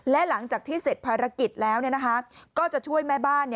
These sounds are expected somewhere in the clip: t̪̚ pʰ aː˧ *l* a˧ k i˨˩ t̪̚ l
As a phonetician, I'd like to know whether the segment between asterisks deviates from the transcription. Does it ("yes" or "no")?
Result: yes